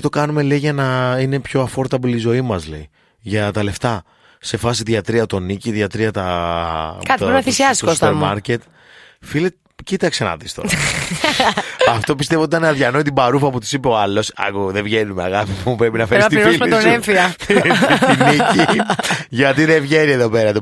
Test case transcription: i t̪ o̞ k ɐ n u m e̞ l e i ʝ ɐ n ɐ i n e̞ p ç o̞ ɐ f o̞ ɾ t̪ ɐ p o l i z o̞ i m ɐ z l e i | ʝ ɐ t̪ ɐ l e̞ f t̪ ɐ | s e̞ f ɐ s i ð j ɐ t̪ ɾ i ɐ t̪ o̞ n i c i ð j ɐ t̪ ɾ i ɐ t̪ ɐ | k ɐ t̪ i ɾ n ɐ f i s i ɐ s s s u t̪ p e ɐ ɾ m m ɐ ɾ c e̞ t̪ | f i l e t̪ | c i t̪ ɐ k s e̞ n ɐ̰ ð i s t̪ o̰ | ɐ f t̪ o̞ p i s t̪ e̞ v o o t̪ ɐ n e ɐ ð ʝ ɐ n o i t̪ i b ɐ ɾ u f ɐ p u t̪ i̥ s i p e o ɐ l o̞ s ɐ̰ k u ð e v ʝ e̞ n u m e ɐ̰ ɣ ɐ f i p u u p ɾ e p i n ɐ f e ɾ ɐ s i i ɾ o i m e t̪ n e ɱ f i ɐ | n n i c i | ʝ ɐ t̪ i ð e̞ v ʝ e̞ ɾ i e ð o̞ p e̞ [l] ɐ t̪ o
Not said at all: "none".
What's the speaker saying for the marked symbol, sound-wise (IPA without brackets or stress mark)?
ɾ